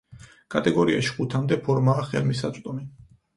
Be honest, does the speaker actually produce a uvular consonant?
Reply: yes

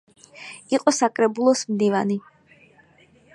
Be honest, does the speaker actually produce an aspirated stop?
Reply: no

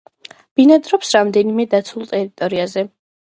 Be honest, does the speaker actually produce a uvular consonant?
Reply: no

